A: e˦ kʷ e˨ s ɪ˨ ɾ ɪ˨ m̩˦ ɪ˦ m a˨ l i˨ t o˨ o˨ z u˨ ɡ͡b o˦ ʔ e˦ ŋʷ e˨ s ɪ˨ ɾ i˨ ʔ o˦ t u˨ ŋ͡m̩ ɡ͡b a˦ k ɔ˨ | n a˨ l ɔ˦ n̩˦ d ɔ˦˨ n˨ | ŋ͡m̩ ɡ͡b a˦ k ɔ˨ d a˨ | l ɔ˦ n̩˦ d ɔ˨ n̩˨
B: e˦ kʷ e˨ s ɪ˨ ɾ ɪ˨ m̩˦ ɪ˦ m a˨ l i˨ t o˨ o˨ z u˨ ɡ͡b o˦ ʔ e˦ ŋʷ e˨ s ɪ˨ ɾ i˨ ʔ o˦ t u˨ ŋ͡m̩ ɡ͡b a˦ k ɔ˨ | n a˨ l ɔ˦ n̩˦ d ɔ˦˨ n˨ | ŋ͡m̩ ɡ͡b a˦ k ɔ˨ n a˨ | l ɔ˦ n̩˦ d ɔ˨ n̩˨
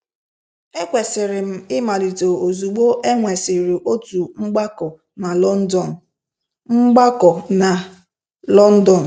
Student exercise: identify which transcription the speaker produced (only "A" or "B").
B